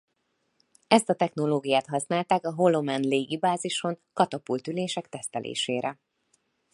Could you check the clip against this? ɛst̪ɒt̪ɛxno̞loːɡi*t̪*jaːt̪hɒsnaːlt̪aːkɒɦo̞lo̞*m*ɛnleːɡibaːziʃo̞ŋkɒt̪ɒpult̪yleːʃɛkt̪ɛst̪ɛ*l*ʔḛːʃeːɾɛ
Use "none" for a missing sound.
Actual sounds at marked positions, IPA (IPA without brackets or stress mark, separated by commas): none, m, l